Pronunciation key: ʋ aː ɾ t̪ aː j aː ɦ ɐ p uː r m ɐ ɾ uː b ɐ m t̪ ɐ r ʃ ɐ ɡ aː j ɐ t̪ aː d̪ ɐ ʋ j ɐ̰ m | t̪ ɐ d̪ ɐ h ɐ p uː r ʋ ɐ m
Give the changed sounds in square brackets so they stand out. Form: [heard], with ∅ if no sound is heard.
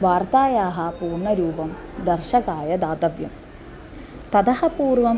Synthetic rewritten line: ʋ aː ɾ t̪ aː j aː ɦ ɐ p uː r [ɳ] ɐ ɾ uː b ɐ m [d̪] ɐ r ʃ ɐ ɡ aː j ɐ [d̪] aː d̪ ɐ ʋ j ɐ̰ m | t̪ ɐ d̪ ɐ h ɐ p uː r ʋ ɐ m